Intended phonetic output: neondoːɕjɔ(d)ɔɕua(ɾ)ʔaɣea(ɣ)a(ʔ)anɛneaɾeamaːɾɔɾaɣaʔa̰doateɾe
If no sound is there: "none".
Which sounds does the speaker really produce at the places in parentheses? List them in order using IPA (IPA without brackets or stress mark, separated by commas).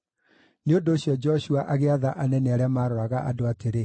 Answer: d͡ʒ, none, ð, ʔ